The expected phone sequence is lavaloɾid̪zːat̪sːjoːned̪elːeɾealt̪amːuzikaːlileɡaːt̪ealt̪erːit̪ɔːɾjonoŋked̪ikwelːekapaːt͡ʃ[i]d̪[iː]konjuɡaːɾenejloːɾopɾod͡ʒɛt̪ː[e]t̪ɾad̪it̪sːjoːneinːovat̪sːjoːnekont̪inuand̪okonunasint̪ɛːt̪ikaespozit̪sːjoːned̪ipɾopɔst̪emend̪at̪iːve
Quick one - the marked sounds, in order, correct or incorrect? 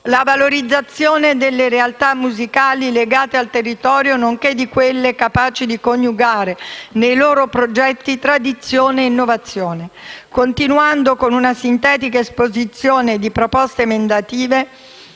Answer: correct, incorrect, incorrect

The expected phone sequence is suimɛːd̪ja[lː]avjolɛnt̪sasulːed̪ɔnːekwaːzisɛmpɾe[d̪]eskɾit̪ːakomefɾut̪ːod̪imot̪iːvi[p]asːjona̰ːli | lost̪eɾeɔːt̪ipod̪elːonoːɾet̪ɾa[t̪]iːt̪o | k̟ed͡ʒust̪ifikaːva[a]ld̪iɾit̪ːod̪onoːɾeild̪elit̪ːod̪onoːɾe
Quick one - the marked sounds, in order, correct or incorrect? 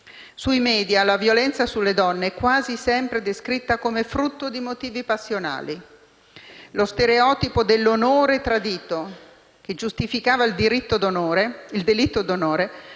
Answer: incorrect, correct, correct, incorrect, incorrect

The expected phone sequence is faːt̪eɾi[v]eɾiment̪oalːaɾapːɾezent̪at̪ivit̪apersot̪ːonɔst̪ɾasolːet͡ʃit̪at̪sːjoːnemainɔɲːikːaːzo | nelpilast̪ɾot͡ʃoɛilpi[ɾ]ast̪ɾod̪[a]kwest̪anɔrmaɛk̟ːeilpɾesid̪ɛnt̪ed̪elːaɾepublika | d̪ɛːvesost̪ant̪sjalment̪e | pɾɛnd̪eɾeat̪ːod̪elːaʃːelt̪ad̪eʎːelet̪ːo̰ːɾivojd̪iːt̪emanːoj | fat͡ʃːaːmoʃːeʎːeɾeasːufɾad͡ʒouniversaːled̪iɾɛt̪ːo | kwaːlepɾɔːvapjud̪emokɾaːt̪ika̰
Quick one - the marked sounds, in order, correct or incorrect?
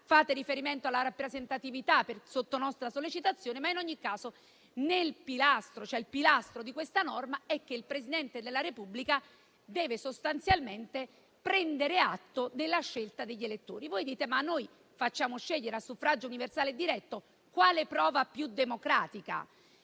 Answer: incorrect, incorrect, incorrect

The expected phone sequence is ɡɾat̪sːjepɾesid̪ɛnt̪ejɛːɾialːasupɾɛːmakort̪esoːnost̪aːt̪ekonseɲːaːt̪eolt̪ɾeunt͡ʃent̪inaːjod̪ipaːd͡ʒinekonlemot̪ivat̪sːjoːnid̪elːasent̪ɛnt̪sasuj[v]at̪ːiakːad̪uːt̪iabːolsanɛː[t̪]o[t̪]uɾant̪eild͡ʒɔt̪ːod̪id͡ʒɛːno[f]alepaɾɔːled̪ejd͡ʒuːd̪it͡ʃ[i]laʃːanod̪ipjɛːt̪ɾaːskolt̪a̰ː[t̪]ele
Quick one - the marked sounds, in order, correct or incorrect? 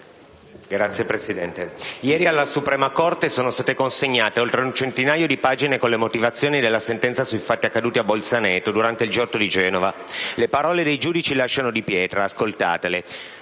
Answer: incorrect, correct, incorrect, incorrect, correct, correct

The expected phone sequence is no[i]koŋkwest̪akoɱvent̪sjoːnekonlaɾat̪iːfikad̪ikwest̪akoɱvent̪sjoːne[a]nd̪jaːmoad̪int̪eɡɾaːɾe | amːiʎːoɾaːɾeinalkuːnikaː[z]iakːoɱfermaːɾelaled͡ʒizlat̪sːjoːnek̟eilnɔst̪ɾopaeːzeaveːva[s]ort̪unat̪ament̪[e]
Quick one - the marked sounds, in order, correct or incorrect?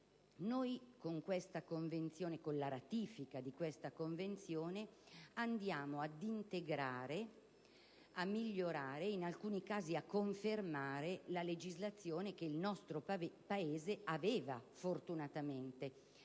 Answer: incorrect, correct, correct, incorrect, correct

